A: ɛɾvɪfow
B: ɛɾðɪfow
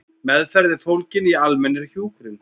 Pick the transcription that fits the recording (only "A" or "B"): B